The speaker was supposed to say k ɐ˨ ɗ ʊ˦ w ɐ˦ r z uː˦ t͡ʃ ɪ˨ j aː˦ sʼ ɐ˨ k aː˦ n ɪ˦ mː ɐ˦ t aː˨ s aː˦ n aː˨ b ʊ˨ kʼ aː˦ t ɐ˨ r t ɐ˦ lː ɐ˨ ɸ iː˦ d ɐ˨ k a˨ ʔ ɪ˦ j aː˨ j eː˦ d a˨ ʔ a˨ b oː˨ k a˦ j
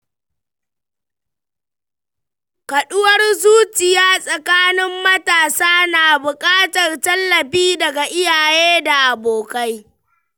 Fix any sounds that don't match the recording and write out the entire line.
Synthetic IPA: k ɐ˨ ɗ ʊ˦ w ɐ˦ r z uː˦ t͡ʃ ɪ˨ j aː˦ sʼ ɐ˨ k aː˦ n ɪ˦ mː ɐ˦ t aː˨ s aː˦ n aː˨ b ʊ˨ kʼ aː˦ t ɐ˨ r t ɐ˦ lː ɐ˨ ɸ iː˦ d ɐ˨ ɡ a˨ ʔ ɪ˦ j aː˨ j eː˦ d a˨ ʔ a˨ b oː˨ k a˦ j

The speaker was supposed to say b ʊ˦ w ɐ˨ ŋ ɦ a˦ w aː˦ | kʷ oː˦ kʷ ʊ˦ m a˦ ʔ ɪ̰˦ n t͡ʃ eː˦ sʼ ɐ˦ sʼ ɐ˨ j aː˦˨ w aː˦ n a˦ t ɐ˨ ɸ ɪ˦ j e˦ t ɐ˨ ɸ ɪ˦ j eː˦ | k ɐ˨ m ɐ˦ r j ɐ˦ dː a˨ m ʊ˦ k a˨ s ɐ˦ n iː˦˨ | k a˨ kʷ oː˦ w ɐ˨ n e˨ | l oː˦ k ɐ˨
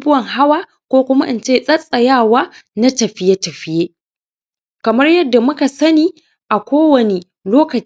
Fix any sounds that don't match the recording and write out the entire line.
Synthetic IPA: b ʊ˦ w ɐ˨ ŋ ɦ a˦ w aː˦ | kʷ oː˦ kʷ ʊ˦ m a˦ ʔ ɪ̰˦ n t͡ʃ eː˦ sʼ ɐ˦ sʼ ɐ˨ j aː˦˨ w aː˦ n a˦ t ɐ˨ ɸ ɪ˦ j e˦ t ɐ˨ ɸ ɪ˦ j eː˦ | k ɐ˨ m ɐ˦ r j ɐ˦ dː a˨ m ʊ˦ k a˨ s ɐ˦ n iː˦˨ | ʔ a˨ kʷ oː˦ w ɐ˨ n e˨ | l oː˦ k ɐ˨

